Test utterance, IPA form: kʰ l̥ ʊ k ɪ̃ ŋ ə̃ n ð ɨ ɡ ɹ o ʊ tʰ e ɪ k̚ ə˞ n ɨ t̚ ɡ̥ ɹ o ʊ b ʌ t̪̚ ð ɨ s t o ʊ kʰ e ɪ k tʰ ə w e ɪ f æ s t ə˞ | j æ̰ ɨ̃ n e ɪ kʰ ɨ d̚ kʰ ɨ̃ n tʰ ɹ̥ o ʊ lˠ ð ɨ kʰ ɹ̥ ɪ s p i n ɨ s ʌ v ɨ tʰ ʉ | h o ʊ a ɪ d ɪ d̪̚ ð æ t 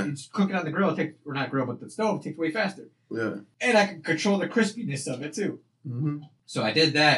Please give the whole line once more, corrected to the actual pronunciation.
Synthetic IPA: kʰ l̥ ʊ k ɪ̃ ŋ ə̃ n ð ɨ ɡ ɹ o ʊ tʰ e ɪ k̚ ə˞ n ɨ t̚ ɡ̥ ɹ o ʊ b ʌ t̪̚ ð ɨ s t o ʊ tʰ e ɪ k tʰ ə w e ɪ f æ s t ə˞ | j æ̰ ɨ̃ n a ɪ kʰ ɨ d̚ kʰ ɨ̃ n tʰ ɹ̥ o ʊ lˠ ð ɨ kʰ ɹ̥ ɪ s p i n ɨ s ʌ v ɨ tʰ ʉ | s o ʊ a ɪ d ɪ d̪̚ ð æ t